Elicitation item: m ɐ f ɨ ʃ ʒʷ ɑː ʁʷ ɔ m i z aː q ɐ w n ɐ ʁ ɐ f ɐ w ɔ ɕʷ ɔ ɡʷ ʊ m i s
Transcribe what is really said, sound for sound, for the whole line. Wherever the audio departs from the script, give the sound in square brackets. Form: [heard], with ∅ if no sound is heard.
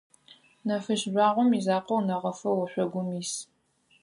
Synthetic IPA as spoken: [n] ɐ f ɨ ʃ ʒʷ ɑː ʁʷ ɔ m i z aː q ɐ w n ɐ ʁ ɐ f ɐ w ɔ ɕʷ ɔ ɡʷ ʊ m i s